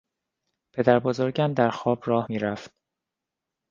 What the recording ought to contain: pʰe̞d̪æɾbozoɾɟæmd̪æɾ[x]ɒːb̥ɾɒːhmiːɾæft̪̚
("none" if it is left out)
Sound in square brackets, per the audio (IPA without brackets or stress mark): x